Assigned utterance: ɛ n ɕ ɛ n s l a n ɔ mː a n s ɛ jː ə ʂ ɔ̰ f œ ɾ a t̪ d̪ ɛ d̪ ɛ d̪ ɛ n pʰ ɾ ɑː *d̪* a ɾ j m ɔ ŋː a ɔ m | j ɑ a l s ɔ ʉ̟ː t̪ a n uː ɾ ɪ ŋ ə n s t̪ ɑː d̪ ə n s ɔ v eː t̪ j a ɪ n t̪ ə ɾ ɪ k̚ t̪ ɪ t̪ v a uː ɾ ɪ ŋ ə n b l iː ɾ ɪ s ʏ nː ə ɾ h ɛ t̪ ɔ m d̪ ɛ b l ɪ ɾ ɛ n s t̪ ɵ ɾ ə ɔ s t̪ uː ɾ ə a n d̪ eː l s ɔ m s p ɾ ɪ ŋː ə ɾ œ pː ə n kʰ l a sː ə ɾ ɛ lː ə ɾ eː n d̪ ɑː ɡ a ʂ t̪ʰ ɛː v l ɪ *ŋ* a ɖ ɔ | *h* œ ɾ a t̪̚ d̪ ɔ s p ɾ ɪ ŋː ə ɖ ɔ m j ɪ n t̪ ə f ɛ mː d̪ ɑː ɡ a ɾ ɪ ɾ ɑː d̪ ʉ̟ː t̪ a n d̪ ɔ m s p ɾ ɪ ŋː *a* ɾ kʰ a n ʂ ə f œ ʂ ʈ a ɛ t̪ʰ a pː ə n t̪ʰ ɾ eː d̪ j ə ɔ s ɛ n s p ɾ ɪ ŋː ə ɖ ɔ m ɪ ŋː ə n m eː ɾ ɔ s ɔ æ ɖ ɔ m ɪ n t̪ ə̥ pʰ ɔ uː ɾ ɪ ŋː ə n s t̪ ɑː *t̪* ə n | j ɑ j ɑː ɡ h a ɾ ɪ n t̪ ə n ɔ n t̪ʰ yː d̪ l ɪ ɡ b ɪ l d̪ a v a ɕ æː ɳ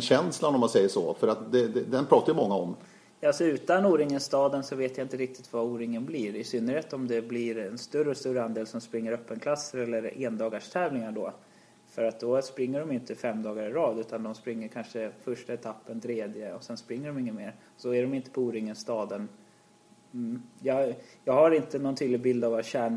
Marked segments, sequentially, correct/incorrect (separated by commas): incorrect, correct, incorrect, incorrect, incorrect